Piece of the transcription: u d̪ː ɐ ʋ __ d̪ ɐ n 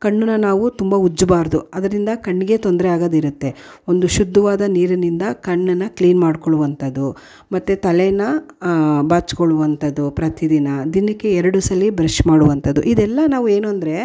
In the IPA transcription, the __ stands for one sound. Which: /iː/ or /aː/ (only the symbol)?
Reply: aː